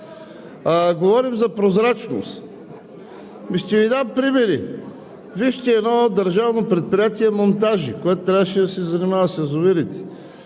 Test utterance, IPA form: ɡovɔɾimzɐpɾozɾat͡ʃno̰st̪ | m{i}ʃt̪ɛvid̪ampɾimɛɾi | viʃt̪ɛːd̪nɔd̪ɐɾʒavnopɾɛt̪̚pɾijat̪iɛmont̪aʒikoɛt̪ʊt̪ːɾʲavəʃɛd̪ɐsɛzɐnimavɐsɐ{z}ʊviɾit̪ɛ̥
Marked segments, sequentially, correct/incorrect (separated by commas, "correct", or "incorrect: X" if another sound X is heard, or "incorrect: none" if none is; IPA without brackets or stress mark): correct, correct